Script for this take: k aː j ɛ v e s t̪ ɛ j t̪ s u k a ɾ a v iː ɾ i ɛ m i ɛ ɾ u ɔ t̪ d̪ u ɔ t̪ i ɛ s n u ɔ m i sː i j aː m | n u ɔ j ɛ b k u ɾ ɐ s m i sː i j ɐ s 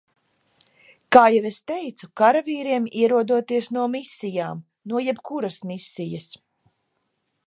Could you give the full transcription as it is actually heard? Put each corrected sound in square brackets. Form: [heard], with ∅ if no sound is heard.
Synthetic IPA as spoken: k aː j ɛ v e s t̪ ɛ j t̪ s u k a ɾ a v iː ɾ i ɛ m i ɛ ɾ u ɔ [∅] d̪ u ɔ t̪ i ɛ s n u ɔ m i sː i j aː m | n u ɔ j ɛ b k u ɾ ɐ s m i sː i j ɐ s